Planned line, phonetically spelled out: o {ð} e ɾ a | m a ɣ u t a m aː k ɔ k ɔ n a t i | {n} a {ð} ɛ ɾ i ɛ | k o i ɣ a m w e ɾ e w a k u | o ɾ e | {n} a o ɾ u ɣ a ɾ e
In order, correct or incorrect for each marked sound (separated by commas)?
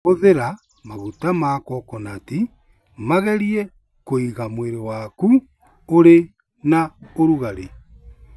correct, incorrect, incorrect, correct